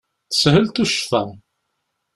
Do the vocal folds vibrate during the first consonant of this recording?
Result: no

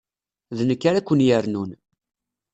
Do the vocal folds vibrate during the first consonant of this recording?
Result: yes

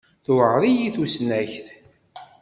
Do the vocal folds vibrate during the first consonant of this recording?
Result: no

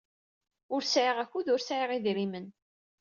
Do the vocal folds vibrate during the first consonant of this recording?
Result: yes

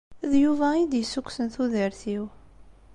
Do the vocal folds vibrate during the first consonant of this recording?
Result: yes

